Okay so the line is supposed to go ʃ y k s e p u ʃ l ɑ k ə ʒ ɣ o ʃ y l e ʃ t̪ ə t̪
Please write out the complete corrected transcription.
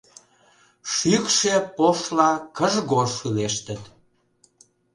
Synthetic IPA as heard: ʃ y k ʃ e p o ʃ l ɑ k ə ʒ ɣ o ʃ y l e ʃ t̪ ə t̪